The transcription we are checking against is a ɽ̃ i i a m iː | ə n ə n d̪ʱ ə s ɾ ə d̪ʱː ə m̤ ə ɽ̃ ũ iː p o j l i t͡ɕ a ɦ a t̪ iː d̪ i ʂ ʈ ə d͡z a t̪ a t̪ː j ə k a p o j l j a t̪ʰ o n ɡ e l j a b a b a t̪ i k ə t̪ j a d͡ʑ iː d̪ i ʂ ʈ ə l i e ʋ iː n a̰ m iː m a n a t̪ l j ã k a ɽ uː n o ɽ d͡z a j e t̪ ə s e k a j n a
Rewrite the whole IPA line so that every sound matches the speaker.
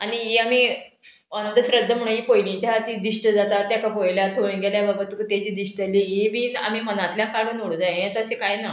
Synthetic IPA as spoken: a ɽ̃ i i a m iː | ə n ə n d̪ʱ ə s ɾ ə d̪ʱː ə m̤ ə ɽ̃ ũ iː p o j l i t͡ɕ a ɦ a t̪ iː d̪ i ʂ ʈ ə d͡z a t̪ a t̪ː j a k a p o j l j a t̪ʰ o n ɡ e l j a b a b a t̪ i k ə t̪ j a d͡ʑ iː d̪ i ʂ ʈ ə l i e ʋ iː n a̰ m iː m ə n a t̪ l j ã k a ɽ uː n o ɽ d͡z a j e t̪ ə s e k a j n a